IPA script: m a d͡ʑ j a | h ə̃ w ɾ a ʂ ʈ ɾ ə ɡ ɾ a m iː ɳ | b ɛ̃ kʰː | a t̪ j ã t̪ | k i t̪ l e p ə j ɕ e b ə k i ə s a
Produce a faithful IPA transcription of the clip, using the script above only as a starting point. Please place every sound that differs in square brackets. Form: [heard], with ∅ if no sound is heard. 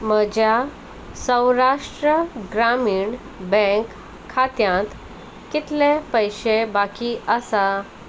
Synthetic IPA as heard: m [ə] d͡ʑ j a | [s] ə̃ w ɾ a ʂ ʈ ɾ ə ɡ ɾ a m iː ɳ | b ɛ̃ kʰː | a t̪ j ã t̪ | k i t̪ l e p ə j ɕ e b [a] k i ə s a